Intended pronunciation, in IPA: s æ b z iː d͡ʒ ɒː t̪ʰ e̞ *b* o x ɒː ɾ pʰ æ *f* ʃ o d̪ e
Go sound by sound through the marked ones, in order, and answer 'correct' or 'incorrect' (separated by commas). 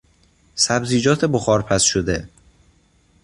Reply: correct, incorrect